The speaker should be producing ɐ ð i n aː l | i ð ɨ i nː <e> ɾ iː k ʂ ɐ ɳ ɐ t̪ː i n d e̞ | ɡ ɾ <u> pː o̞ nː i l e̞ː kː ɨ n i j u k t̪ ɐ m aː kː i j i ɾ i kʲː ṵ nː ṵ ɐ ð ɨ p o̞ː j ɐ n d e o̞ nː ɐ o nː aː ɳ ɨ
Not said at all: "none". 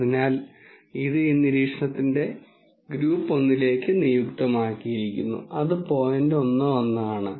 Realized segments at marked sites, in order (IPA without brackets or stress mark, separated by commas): i, uː